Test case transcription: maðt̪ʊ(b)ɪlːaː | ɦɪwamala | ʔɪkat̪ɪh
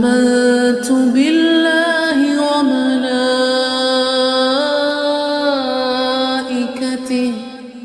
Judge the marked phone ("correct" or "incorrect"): correct